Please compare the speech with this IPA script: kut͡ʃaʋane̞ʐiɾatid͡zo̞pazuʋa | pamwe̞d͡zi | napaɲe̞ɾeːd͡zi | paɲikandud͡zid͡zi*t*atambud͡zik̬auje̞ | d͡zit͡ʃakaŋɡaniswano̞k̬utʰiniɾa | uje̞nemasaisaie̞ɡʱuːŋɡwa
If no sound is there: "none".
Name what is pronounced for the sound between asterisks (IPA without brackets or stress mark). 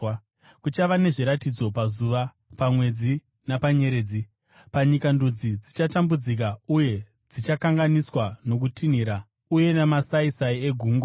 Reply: t͡ʃ